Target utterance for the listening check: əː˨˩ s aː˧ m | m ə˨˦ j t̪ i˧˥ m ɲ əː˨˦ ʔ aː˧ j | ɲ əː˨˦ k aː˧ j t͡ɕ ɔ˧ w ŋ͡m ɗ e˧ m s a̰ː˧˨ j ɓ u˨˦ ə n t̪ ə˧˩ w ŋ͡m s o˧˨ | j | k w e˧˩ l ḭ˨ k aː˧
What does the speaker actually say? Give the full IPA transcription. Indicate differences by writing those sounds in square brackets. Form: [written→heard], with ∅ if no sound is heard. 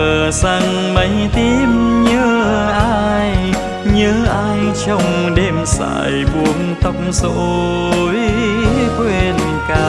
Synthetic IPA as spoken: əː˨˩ s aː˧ [m→ŋ] | m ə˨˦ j t̪ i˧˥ m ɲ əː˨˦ ʔ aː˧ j | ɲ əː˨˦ [k→ʔ] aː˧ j t͡ɕ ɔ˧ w ŋ͡m ɗ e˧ m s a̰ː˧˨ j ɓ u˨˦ ə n t̪ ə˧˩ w ŋ͡m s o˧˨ | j | k w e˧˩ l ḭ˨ k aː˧